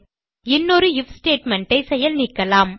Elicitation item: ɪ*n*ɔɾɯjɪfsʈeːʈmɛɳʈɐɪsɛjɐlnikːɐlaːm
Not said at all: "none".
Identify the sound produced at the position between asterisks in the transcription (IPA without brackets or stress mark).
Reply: nː